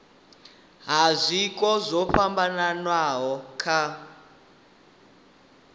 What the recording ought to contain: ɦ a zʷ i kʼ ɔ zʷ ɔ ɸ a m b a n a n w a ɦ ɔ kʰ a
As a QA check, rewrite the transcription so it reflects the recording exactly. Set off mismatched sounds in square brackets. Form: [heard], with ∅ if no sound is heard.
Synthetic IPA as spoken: ɦ a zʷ i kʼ ɔ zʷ ɔ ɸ a m b a n a n w a ɦ ɔ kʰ a

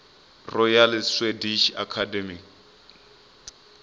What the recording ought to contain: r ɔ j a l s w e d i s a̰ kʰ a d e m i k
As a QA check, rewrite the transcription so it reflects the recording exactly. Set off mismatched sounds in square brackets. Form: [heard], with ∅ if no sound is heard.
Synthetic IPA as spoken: r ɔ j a l s w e d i [ʃ] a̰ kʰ a d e m i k

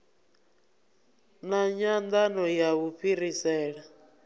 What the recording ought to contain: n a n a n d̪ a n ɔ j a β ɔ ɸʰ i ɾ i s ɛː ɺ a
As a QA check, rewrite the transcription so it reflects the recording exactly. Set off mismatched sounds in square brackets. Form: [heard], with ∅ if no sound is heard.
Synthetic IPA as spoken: n a [ɲ] a n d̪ a n ɔ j a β [u] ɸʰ i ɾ i s ɛː ɺ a

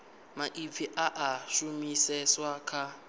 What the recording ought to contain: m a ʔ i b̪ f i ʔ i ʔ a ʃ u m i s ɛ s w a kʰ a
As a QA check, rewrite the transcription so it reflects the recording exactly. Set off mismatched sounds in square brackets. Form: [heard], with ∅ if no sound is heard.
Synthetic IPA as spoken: m a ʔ i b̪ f i ʔ [a] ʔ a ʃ u m i s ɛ s w a kʰ a

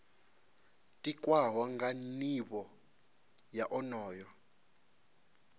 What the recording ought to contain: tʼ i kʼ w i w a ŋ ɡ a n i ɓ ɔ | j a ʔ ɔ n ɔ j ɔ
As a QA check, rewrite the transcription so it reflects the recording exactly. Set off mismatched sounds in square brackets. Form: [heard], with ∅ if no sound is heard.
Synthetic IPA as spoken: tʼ i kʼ w [a] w a ŋ ɡ a n i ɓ ɔ | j a ʔ ɔ n [ɔː] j ɔ

